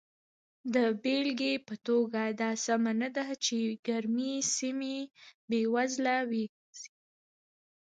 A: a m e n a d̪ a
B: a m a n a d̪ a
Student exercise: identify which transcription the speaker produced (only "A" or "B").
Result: B